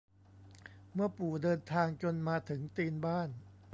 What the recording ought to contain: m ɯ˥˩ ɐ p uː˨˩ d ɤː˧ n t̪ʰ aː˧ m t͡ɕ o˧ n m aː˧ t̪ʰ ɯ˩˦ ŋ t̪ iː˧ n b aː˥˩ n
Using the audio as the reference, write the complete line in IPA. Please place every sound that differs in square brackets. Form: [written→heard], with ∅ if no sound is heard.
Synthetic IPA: m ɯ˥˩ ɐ p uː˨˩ d ɤː˧ n t̪ʰ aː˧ [m→ŋ] t͡ɕ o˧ n m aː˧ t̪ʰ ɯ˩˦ ŋ t̪ iː˧ n b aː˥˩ n